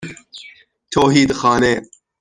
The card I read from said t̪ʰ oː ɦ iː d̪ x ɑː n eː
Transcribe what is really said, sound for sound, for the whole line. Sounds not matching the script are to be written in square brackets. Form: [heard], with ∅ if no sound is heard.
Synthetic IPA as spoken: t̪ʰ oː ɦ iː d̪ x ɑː n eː